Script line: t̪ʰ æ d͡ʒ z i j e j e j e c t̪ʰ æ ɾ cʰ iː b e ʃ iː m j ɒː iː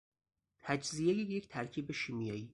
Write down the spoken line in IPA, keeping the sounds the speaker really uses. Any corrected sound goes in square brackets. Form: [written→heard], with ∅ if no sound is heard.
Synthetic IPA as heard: t̪ʰ æ d͡ʒ z i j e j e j e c t̪ʰ æ ɾ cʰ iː b e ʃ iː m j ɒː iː